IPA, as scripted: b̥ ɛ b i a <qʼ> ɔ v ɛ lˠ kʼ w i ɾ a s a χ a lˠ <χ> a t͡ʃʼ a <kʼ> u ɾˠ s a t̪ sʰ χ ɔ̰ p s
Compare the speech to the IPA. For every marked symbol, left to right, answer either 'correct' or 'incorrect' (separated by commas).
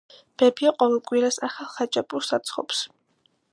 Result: correct, correct, incorrect